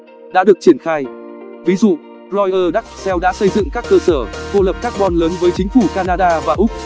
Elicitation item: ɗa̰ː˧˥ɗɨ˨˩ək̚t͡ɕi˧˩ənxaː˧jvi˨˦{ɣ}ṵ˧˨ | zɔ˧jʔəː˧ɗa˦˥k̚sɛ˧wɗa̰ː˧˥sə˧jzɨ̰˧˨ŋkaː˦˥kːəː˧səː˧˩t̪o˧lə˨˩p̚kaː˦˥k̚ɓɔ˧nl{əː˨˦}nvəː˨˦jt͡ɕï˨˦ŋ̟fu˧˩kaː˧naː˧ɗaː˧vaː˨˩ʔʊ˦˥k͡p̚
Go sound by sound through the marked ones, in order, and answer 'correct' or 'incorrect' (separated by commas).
incorrect, correct